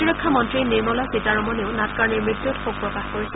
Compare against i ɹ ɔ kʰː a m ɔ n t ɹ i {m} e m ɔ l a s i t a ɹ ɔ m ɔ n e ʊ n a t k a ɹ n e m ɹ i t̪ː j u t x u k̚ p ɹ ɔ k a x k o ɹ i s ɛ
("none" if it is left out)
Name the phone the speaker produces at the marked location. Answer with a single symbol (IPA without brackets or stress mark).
n